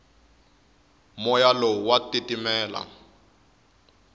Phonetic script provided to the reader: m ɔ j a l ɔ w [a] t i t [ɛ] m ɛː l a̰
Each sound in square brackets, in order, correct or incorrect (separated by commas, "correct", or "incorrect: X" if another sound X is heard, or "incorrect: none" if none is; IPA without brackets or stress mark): correct, incorrect: i